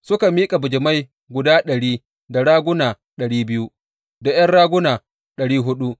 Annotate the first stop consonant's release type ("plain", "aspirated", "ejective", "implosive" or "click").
plain